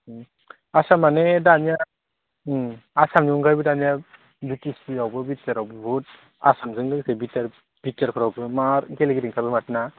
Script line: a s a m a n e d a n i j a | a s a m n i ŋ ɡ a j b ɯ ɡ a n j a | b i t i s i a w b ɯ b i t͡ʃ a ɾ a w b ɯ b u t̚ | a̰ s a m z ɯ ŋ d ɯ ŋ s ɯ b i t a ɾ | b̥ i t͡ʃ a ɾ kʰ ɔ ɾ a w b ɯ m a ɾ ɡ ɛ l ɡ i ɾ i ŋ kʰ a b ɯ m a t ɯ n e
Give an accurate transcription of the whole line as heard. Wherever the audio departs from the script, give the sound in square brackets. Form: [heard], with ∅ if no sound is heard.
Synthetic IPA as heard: a s a m a n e d a n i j a | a s a m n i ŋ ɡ a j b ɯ [d] a n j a | b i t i s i a w b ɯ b i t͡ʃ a ɾ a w b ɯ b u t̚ | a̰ s a m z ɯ ŋ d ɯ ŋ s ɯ b i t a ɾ | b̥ i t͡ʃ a ɾ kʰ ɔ ɾ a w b ɯ m a ɾ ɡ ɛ l ɡ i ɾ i ŋ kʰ a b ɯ m a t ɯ n [a]